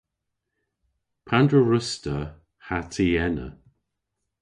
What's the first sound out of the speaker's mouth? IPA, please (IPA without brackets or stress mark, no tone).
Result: pʰ